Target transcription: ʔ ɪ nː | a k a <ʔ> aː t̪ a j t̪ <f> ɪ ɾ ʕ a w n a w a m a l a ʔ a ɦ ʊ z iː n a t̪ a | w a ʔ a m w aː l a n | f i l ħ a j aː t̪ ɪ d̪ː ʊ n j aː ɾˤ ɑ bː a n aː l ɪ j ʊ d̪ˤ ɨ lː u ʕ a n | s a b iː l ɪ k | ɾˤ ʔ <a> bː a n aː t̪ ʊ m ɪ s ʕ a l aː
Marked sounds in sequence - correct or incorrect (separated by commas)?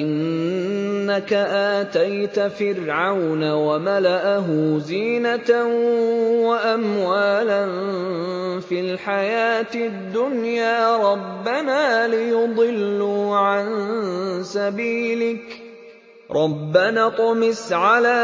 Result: correct, correct, incorrect